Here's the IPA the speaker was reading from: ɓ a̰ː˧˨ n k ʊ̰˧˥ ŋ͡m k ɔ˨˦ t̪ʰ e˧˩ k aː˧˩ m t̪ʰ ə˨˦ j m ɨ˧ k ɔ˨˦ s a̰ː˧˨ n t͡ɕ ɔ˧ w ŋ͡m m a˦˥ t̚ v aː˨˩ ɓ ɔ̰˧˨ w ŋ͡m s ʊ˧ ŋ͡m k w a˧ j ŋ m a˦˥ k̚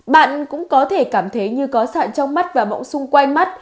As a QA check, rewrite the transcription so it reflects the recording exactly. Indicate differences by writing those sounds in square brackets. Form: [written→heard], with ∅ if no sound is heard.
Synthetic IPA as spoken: ɓ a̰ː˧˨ n k ʊ̰˧˥ ŋ͡m k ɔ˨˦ t̪ʰ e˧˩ k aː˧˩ m t̪ʰ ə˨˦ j [m→ɲ] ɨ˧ k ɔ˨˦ s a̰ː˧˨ n t͡ɕ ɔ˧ w ŋ͡m m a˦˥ t̚ v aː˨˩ ɓ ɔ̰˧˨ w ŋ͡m s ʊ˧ ŋ͡m k w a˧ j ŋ m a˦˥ [k̚→t̚]

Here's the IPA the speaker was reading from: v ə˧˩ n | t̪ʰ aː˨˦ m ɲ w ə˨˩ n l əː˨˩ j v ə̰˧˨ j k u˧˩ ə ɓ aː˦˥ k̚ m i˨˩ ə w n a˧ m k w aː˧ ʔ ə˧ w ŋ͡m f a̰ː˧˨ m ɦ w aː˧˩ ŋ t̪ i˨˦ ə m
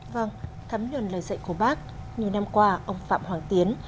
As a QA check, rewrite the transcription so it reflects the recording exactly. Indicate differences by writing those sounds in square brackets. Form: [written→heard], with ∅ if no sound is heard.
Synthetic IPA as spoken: v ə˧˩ [n→ŋ] | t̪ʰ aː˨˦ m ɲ w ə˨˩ n l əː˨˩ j [v→z] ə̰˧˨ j k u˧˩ ə ɓ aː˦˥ k̚ [m→ɲ] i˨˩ ə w n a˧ m k w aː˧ ʔ ə˧ w ŋ͡m f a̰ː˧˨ m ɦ w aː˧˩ ŋ t̪ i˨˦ ə [m→n]

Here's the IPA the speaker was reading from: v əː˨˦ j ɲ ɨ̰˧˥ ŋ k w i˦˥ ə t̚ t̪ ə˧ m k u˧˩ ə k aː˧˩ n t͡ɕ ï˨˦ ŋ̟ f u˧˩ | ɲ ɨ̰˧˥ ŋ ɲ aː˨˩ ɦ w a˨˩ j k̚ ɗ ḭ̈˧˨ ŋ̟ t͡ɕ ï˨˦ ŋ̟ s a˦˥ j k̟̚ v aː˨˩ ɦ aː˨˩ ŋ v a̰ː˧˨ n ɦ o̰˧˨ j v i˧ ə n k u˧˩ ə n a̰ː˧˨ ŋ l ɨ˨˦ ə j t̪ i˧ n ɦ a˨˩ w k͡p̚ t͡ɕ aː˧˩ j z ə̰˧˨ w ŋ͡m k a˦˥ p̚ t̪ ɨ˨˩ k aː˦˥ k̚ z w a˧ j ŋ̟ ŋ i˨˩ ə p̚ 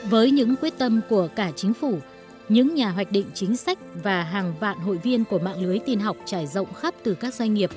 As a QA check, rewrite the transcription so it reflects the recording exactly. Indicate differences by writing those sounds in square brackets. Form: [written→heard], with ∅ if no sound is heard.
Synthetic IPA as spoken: v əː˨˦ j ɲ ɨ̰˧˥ ŋ k w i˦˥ ə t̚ t̪ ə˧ m k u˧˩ ə k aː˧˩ [n→∅] t͡ɕ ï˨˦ ŋ̟ f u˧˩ | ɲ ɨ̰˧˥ ŋ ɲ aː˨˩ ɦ w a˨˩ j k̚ ɗ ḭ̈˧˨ ŋ̟ t͡ɕ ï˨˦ ŋ̟ s a˦˥ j k̟̚ v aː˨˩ ɦ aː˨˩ ŋ v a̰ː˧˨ n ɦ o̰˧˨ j v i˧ ə n k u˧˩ ə [n→m] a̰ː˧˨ ŋ l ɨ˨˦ ə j t̪ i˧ n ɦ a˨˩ w k͡p̚ t͡ɕ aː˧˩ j z ə̰˧˨ w ŋ͡m [k→x] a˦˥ p̚ t̪ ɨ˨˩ k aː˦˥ k̚ z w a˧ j ŋ̟ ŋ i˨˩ ə p̚

